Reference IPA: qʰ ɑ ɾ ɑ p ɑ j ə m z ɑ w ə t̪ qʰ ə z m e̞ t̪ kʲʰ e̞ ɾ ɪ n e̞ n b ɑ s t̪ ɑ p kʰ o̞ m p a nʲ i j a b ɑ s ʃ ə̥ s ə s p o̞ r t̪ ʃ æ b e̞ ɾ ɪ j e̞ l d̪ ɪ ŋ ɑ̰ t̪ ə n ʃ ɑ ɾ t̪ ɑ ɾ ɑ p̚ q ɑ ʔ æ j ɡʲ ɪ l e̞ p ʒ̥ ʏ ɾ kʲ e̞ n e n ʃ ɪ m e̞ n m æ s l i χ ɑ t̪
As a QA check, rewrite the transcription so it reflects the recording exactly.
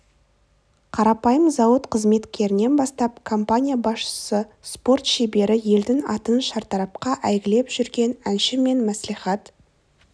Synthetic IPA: qʰ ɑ ɾ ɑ p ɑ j ə m z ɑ w ə t̪ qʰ ə z m e̞ t̪ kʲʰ e̞ ɾ ɪ n e̞ n b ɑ s t̪ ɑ p kʰ o̞ m p a nʲ i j a b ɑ s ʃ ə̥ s ə s p o̞ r t̪ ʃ e b e̞ ɾ ɪ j e̞ l d̪ ɪ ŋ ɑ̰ t̪ ə n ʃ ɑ ɾ t̪ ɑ ɾ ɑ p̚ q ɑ ʔ æ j ɡʲ ɪ l e̞ p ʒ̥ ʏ ɾ ɡʲ e̞ n æ n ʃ ɪ m e̞ n m æ s l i χ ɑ t̪